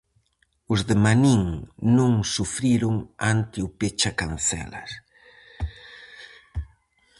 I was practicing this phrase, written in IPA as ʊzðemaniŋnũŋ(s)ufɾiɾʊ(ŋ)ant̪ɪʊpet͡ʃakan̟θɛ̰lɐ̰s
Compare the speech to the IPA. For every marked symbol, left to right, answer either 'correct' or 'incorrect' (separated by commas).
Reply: correct, correct